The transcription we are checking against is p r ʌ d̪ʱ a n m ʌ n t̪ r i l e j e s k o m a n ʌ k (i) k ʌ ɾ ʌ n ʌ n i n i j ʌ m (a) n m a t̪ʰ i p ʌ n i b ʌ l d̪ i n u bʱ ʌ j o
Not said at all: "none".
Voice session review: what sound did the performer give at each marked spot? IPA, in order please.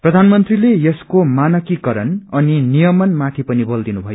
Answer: i, ʌ

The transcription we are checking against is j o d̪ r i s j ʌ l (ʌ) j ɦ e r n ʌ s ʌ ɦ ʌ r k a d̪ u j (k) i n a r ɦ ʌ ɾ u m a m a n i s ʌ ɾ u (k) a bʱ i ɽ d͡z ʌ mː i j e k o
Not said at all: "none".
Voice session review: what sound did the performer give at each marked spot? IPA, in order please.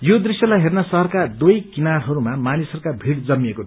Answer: a, k, k

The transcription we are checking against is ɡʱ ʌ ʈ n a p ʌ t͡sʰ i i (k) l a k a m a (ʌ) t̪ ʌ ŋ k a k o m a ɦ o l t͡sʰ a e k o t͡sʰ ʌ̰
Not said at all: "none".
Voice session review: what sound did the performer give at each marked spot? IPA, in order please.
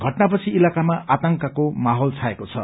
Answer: none, a

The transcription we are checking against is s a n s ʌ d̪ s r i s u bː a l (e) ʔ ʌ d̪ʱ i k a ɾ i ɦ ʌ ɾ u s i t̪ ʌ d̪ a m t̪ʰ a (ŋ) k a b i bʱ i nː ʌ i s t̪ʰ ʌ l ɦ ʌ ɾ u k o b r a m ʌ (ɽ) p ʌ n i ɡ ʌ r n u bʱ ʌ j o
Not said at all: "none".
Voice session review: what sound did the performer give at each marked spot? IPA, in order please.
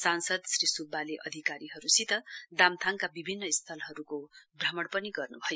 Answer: e, ŋ, ɽ

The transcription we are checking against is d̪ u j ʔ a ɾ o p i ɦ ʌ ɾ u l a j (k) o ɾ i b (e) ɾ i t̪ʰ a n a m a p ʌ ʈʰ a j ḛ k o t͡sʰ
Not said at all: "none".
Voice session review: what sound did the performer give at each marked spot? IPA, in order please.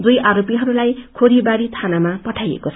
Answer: kʰ, a

